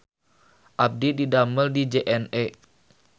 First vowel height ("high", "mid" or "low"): low